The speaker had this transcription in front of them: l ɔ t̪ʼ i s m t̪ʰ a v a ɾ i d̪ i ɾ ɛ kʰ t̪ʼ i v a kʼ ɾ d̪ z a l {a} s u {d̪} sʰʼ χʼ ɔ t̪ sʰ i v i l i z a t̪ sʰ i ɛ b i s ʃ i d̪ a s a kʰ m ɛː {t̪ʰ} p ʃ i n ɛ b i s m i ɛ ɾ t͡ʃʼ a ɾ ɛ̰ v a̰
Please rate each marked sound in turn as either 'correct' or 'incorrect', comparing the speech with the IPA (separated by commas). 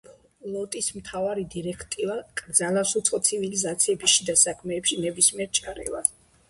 correct, incorrect, incorrect